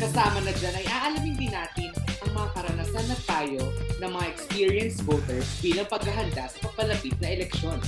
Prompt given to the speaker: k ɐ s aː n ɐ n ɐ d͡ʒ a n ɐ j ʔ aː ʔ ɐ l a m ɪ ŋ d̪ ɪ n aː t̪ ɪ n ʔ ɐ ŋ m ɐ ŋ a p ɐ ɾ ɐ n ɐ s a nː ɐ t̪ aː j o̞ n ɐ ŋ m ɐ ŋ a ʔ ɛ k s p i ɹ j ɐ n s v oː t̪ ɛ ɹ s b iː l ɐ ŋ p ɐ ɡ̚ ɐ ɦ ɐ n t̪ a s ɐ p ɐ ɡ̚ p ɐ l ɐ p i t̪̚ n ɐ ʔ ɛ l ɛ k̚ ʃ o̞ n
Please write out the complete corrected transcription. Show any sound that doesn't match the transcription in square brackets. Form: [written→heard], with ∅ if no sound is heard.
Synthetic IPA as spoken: k ɐ s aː [n→m] ɐ n ɐ d͡ʒ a n ɐ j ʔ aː ʔ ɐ l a m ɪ [ŋ→n] d̪ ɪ n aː t̪ ɪ n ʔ ɐ ŋ m ɐ ŋ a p ɐ ɾ ɐ n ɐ s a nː ɐ t̪ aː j o̞ n ɐ ŋ m ɐ ŋ a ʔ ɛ k s p i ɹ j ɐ n s v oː t̪ ɛ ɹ s b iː l ɐ ŋ p ɐ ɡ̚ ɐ ɦ ɐ n [t̪→d̪] a s ɐ p ɐ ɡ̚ p ɐ l ɐ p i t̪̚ n ɐ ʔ ɛ l ɛ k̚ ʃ o̞ n